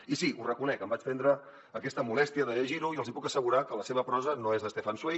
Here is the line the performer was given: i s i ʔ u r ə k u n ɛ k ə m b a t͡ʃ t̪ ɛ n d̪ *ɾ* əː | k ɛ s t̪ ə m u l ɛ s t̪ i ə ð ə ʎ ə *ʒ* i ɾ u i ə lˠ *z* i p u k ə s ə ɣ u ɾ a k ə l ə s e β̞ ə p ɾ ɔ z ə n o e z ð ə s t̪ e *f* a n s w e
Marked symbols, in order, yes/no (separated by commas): yes, yes, yes, yes